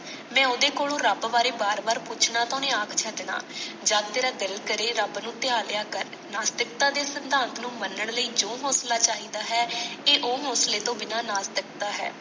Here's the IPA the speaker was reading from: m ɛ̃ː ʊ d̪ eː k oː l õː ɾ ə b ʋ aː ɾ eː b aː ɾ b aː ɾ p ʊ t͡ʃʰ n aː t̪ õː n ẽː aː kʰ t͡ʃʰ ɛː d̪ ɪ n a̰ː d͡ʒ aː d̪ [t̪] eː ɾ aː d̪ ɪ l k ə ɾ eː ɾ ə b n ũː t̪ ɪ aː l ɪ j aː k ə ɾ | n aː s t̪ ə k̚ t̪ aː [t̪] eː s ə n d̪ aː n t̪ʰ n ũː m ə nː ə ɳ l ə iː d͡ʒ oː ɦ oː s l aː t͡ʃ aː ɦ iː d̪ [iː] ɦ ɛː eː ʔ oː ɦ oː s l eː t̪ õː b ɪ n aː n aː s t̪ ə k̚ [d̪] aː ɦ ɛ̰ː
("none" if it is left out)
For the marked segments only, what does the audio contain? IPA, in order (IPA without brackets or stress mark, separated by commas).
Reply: t̪, d̪, aː, t̪